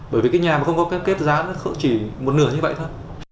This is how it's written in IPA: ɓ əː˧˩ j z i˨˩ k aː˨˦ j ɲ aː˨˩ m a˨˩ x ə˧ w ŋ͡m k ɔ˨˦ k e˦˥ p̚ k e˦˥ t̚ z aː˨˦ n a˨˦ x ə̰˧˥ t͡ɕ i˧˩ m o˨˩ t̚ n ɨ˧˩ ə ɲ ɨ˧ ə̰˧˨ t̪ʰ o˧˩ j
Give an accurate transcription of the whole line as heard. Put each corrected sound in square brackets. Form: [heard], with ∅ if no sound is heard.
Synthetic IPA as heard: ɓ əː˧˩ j [v] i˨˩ k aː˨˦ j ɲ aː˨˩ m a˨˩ x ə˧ w ŋ͡m k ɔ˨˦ k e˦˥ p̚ k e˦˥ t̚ z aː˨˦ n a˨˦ x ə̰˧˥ t͡ɕ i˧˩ m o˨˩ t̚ n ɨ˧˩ ə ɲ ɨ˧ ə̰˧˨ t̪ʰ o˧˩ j